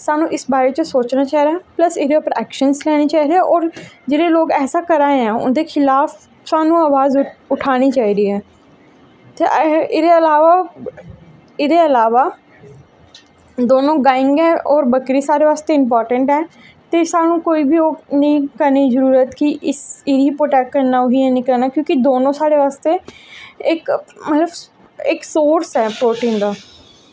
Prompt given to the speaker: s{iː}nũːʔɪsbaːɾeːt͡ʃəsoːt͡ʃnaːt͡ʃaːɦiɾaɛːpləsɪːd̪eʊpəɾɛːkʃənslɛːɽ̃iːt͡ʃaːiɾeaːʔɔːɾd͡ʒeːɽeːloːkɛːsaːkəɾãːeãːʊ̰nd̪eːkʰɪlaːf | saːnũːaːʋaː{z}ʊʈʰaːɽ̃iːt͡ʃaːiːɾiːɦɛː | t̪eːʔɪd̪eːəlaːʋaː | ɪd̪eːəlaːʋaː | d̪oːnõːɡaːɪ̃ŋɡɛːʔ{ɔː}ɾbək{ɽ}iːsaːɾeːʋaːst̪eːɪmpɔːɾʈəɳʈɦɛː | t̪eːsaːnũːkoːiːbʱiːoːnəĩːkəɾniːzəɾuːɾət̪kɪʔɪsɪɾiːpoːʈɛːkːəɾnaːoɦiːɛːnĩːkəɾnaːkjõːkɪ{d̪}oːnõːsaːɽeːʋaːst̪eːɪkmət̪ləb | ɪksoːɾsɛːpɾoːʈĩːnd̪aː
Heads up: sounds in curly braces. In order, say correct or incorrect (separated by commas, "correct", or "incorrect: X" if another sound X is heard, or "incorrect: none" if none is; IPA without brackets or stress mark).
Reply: incorrect: aː, correct, correct, incorrect: ɾ, correct